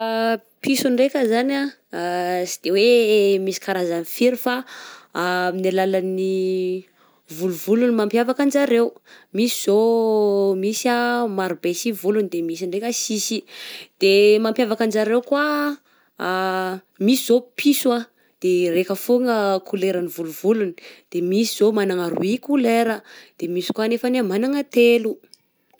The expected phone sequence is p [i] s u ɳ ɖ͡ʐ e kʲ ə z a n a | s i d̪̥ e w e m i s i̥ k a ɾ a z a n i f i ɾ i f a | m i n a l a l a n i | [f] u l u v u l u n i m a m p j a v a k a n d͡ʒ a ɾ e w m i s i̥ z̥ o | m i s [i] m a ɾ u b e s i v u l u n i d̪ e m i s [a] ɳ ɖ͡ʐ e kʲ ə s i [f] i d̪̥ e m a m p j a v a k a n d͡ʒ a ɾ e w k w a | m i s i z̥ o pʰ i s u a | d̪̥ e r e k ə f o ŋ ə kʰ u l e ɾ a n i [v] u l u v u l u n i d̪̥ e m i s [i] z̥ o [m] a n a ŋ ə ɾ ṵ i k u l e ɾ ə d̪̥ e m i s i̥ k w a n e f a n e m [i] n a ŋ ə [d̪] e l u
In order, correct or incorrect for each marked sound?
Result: correct, incorrect, incorrect, incorrect, incorrect, correct, correct, correct, incorrect, incorrect

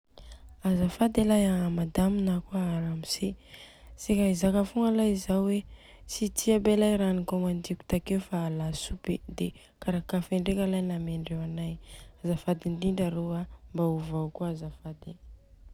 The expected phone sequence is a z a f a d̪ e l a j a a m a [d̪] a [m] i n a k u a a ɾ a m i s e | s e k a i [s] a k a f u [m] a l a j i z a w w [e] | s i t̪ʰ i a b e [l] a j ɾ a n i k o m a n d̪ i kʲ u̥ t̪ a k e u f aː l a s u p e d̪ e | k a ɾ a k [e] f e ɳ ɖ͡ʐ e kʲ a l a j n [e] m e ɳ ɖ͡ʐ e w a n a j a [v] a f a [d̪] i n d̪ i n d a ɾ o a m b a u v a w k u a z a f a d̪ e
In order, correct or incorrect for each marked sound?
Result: correct, correct, incorrect, incorrect, correct, correct, incorrect, incorrect, incorrect, correct

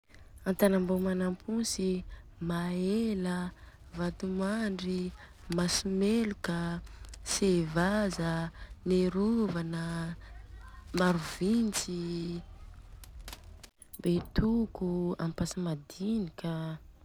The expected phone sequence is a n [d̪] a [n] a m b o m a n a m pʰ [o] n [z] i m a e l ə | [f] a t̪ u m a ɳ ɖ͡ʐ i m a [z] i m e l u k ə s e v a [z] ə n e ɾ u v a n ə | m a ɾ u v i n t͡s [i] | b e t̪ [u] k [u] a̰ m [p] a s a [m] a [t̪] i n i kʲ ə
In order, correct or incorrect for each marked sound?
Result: incorrect, correct, incorrect, incorrect, incorrect, incorrect, correct, correct, correct, correct, correct, correct, incorrect

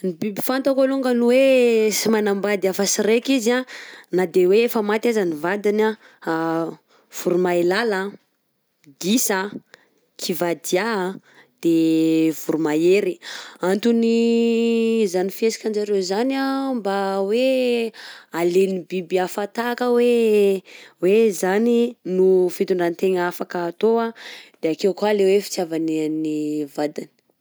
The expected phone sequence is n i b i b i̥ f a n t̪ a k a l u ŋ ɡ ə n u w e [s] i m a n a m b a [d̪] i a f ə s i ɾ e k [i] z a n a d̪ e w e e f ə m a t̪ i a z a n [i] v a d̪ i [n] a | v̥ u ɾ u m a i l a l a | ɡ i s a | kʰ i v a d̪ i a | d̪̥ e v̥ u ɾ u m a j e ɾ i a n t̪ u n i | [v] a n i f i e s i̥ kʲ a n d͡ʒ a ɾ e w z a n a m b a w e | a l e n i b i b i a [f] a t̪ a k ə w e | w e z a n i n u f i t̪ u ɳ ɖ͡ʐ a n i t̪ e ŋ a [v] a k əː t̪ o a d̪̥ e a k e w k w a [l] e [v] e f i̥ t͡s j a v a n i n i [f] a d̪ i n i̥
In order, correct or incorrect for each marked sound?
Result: correct, correct, correct, correct, correct, incorrect, correct, incorrect, correct, incorrect, incorrect

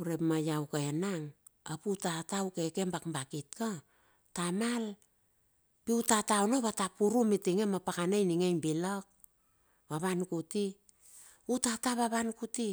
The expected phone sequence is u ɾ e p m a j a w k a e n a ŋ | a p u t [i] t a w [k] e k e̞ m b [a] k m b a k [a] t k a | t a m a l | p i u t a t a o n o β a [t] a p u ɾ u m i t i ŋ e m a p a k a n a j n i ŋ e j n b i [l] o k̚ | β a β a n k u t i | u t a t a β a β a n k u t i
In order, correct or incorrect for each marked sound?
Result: incorrect, correct, correct, incorrect, correct, correct

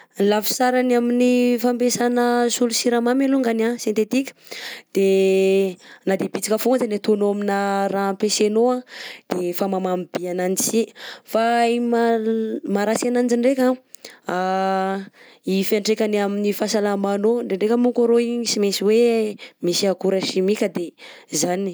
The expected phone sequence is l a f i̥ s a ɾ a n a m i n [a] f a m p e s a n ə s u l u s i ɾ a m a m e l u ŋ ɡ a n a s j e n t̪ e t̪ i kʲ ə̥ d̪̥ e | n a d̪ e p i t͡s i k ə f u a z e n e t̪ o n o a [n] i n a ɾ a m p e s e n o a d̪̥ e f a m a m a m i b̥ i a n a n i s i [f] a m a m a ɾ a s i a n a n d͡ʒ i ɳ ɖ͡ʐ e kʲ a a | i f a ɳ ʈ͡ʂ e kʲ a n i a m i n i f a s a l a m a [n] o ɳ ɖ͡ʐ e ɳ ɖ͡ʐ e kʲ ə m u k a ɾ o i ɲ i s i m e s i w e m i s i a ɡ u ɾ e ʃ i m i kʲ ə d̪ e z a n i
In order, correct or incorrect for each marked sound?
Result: incorrect, incorrect, correct, correct

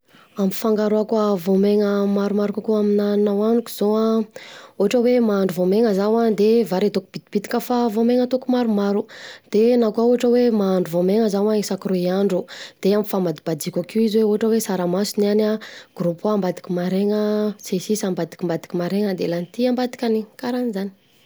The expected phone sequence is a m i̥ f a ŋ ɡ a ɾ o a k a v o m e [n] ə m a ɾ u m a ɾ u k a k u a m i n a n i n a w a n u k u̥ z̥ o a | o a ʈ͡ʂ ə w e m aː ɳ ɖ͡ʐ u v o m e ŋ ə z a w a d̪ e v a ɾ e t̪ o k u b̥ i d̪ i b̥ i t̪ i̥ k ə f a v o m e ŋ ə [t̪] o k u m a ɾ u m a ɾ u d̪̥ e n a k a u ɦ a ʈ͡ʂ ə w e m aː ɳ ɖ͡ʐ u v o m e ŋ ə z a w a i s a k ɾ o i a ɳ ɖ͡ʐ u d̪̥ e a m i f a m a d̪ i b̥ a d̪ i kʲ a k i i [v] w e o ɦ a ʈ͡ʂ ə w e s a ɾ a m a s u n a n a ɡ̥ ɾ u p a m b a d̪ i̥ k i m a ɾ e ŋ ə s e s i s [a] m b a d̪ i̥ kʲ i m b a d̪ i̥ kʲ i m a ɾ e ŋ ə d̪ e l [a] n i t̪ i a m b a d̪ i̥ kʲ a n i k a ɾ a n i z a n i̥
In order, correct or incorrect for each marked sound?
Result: incorrect, correct, incorrect, correct, correct

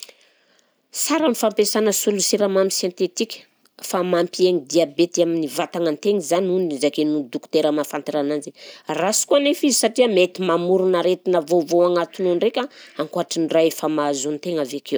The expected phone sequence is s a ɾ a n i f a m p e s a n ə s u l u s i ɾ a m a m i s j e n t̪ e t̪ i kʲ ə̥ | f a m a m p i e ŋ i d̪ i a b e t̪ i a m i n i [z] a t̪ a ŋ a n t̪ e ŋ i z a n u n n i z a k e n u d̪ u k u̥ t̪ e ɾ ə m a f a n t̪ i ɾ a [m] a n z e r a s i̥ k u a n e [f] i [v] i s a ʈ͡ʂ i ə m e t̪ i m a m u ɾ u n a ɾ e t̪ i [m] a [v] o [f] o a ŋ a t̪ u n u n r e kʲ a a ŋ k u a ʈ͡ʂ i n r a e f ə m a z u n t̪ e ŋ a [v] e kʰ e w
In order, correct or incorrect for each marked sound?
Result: incorrect, incorrect, correct, incorrect, incorrect, correct, incorrect, correct

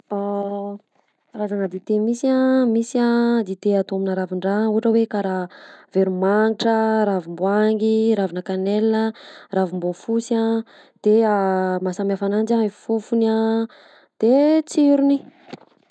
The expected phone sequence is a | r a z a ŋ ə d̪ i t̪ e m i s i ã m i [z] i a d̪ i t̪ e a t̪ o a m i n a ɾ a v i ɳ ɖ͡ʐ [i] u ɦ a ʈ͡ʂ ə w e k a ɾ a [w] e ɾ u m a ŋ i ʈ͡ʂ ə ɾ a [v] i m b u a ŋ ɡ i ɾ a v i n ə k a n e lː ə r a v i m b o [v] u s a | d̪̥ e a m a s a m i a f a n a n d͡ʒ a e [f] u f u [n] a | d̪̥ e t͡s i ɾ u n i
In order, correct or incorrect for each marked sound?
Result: incorrect, incorrect, incorrect, correct, incorrect, correct, correct

